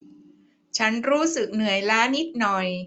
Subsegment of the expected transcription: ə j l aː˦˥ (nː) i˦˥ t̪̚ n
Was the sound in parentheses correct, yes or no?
no